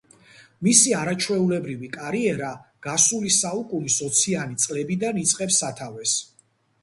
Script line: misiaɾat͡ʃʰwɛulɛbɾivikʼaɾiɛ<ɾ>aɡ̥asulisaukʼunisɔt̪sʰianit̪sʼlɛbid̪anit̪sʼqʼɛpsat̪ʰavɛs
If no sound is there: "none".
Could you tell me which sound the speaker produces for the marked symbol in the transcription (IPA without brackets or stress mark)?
ɾ